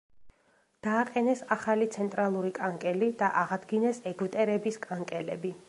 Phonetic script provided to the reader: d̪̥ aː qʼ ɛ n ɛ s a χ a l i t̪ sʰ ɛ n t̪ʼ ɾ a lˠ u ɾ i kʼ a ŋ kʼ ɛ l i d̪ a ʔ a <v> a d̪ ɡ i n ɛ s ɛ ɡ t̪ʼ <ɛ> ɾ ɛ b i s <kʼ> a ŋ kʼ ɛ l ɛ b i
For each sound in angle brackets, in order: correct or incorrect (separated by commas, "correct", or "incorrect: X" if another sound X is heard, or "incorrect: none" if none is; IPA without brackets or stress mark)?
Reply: incorrect: ʁ, correct, correct